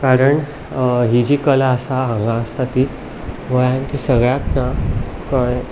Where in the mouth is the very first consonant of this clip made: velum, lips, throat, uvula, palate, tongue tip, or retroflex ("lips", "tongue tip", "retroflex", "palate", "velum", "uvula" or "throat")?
velum